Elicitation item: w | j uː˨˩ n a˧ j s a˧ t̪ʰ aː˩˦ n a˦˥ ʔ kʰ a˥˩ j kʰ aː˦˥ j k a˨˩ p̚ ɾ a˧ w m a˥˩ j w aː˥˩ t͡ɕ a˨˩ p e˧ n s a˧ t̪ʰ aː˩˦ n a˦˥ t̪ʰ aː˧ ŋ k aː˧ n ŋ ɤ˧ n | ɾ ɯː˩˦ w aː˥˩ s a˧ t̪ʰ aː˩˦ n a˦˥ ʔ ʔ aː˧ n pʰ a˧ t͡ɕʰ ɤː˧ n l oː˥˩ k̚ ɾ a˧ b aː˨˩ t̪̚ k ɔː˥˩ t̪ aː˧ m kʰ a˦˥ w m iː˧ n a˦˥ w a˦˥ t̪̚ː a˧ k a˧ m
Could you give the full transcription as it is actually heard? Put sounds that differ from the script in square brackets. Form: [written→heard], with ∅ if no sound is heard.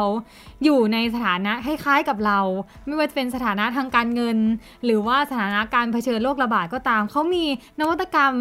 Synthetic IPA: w | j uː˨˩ n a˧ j s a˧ t̪ʰ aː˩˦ n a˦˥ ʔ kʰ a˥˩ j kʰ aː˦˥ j k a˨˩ p̚ ɾ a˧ w m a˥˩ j w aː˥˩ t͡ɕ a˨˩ p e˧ n s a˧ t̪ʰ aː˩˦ n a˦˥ t̪ʰ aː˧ ŋ k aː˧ n ŋ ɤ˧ n | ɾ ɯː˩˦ w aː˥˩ s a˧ t̪ʰ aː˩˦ n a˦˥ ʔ [ʔ→k] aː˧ n pʰ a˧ t͡ɕʰ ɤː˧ n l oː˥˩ k̚ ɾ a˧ b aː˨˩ t̪̚ k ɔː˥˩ t̪ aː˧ m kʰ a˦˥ w m iː˧ n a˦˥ w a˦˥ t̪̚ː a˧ k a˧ m